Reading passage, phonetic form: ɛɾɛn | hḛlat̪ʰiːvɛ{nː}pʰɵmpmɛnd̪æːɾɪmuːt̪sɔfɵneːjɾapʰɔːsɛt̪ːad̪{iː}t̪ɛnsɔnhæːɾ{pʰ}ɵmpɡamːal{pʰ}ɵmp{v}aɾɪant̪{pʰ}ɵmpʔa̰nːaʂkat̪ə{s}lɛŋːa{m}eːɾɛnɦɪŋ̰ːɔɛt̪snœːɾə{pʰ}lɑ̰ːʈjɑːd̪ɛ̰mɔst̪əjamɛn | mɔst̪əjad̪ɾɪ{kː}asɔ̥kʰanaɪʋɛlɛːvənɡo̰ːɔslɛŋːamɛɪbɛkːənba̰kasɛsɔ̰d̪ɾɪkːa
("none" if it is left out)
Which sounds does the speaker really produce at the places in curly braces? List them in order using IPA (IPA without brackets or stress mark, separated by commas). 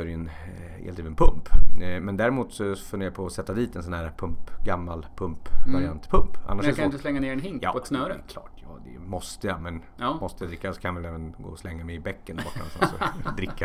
n, iː, pʰ, pʰ, v, pʰ, s, n, kʰ, kː